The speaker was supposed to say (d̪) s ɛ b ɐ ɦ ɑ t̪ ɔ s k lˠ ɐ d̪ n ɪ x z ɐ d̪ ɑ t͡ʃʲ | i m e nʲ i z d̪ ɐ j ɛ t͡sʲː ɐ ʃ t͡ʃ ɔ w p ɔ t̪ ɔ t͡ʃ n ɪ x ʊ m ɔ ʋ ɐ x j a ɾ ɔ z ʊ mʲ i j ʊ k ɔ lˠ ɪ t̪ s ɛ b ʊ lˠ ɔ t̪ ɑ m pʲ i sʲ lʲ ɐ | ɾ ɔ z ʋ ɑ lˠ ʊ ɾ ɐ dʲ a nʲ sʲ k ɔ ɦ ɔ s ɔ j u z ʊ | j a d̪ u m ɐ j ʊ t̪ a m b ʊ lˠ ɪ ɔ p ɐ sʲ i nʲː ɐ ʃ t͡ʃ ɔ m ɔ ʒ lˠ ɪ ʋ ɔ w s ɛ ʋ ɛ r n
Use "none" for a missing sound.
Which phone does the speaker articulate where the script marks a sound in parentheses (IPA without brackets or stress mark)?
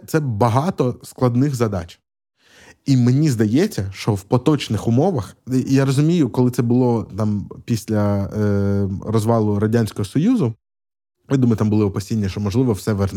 t̪